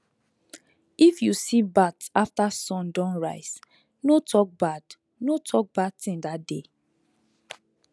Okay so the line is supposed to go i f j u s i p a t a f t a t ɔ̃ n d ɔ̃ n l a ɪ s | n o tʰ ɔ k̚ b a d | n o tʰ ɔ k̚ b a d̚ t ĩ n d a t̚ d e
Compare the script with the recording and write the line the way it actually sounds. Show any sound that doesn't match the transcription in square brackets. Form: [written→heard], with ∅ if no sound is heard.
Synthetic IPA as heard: i f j u s i [p→b] a t a f t a [t→s] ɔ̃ n d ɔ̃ n [l→ɹ] a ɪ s | n o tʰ ɔ k̚ b a d | n o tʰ ɔ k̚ b a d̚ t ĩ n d a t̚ d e